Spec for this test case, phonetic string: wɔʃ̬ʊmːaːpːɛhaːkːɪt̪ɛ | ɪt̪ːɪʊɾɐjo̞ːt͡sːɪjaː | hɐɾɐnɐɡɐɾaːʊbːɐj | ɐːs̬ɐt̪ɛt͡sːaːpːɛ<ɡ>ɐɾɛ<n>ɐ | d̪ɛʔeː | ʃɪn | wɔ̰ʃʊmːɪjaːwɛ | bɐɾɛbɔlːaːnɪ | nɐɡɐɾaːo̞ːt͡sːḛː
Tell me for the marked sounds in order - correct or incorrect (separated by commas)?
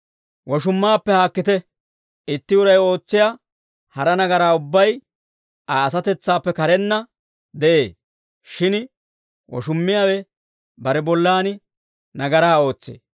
incorrect, incorrect